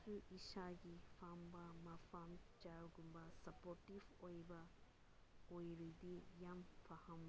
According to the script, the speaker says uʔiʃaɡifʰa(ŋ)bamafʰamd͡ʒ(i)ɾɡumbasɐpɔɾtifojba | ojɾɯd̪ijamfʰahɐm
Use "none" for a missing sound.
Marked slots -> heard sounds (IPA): m, a

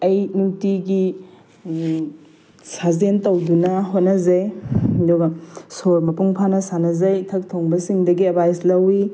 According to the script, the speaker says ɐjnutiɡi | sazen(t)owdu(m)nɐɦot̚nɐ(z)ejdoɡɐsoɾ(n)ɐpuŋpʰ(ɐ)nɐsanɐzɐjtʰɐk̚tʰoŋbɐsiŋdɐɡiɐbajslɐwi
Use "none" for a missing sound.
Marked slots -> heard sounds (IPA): t, none, z, m, a

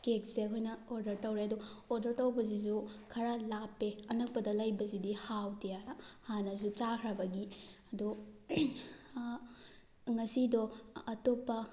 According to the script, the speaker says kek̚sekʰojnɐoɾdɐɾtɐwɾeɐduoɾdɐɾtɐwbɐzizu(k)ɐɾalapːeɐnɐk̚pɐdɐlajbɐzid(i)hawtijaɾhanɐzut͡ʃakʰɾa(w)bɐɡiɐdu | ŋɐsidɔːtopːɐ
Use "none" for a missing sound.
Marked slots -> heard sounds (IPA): kʰ, i, none

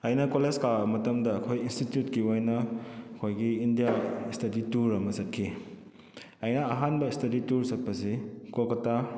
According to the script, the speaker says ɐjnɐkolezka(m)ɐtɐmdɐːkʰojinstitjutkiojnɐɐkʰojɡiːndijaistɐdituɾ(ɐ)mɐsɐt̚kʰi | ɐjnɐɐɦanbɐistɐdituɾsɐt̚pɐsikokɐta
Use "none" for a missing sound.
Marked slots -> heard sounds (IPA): m, ɐ

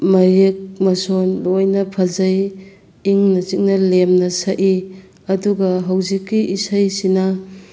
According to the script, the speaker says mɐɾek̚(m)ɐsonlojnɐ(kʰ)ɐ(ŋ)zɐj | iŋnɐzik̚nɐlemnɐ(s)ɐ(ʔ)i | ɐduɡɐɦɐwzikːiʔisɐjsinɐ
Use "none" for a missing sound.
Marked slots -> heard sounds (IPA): m, pʰ, none, s, ʔ

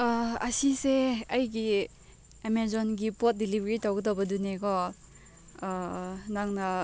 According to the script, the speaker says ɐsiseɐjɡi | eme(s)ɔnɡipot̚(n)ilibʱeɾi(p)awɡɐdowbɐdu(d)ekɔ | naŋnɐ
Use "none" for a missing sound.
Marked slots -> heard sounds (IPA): z, d, t, n

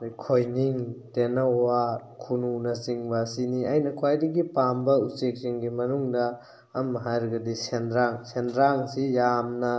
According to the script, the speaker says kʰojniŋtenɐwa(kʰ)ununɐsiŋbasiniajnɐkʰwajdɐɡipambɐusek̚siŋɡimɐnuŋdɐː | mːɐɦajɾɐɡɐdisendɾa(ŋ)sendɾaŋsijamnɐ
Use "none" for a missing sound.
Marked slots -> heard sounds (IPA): kʰ, ŋ

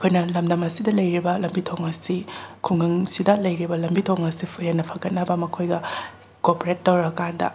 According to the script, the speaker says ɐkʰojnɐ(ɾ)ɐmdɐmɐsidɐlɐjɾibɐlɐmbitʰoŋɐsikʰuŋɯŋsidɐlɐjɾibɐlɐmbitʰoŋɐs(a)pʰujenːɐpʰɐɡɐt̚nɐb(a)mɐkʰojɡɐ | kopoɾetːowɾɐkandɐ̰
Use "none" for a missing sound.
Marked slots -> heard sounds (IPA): l, i, ɐ

